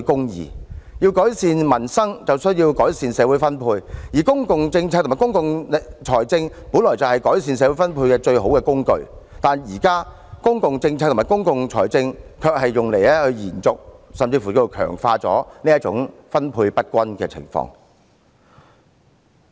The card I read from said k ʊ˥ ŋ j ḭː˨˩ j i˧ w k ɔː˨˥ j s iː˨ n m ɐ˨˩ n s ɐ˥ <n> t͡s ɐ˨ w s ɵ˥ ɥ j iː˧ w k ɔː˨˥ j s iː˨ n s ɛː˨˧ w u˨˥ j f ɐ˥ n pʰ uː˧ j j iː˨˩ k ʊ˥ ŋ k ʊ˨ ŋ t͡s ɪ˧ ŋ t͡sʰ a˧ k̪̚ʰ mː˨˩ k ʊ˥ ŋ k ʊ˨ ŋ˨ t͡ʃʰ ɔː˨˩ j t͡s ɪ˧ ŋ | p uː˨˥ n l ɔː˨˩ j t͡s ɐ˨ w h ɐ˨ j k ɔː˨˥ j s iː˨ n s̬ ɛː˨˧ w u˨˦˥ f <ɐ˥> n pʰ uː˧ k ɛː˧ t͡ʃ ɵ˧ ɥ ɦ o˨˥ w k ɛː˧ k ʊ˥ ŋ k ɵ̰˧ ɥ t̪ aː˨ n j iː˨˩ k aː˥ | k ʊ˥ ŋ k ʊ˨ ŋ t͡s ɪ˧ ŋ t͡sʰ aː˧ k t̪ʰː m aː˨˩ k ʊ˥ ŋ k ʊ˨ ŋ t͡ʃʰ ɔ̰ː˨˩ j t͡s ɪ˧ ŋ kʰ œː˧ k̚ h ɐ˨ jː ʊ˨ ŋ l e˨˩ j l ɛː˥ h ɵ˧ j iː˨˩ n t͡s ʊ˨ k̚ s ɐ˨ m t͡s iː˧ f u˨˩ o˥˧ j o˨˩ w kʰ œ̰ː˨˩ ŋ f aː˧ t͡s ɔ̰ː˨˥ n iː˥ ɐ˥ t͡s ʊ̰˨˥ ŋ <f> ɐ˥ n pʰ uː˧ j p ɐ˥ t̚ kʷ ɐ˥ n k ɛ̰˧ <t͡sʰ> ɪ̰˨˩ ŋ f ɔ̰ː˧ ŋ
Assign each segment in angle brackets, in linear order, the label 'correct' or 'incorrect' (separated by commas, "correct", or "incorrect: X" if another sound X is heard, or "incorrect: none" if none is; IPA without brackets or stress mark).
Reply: incorrect: ŋ, correct, correct, correct